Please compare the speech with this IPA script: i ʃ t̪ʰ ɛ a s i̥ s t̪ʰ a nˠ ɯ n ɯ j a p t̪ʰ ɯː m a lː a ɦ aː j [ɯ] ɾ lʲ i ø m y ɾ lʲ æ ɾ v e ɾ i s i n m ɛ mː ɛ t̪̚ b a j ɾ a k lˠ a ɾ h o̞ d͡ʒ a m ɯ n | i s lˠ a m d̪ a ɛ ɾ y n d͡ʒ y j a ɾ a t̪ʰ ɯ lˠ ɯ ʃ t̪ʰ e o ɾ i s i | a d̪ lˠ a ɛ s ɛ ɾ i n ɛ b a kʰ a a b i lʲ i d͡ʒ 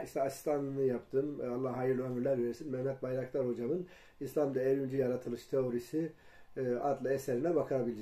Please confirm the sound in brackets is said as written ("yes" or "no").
yes